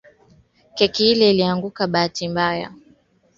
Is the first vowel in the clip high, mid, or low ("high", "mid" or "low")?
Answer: mid